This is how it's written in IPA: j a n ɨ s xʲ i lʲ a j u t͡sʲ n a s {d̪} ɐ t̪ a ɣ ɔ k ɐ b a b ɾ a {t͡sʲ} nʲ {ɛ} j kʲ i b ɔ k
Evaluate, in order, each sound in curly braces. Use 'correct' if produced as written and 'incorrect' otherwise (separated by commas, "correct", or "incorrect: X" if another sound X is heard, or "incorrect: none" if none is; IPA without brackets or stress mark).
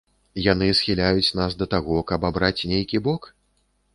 correct, correct, incorrect: e